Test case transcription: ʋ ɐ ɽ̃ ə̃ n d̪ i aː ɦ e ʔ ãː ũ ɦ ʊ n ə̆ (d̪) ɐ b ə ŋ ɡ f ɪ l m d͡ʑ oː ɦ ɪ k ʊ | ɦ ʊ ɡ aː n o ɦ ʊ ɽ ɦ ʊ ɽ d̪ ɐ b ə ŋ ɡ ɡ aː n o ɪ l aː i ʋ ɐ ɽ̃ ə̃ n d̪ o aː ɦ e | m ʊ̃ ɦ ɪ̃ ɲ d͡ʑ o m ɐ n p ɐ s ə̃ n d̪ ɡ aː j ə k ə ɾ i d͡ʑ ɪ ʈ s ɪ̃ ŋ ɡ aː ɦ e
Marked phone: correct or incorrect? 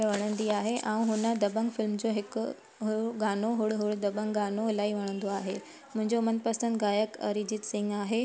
correct